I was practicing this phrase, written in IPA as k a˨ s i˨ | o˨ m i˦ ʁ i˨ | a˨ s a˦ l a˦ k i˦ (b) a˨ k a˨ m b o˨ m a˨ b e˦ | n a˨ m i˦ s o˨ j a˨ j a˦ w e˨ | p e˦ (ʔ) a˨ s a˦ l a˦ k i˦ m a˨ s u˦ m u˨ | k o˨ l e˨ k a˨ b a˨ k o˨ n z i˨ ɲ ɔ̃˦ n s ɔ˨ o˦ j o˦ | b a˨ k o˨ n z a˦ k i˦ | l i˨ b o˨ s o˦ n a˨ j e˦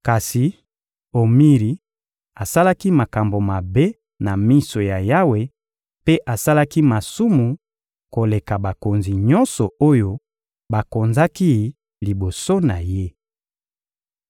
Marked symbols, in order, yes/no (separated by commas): no, yes